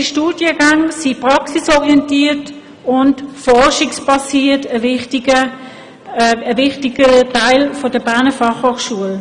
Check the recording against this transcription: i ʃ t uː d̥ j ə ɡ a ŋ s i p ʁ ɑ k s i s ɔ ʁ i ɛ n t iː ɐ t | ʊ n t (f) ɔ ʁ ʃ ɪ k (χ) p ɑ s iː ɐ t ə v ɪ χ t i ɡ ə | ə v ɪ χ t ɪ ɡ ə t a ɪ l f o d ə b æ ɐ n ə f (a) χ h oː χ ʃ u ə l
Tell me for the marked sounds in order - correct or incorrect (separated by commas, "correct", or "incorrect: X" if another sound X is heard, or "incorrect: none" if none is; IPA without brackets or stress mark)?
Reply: correct, incorrect: s, incorrect: ɑ